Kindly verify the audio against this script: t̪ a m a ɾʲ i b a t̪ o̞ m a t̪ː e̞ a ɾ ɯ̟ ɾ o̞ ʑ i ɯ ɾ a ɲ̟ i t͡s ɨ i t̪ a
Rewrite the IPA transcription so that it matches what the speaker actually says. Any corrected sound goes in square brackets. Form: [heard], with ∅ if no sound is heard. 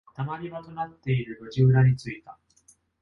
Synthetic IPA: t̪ a m a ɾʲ i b a t̪ o̞ [n] a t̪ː e̞ [i] ɾ ɯ̟ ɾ o̞ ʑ i ɯ ɾ a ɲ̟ i t͡s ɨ i t̪ a